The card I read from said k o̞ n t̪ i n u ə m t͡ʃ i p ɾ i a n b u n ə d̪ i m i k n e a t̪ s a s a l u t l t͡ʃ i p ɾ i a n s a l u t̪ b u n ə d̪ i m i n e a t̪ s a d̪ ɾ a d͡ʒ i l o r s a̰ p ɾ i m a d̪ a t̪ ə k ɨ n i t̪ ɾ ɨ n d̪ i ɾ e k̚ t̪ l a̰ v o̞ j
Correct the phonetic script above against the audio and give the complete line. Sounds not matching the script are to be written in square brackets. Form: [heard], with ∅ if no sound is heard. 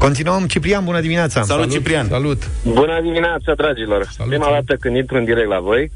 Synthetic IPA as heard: k o̞ n t̪ i n u ə m t͡ʃ i p ɾ i a n b u n ə d̪ i m i [∅] n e a t̪ s a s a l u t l t͡ʃ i p ɾ i a n s a l u t̪ b u n ə d̪ i m i n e a t̪ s a d̪ ɾ a d͡ʒ i l o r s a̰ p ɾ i m a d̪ a t̪ ə k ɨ n i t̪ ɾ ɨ n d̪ i ɾ e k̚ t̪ l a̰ v o̞ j